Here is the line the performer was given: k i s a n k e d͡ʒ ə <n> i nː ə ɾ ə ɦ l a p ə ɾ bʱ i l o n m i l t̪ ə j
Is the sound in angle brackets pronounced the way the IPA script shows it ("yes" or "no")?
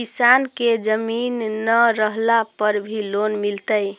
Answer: no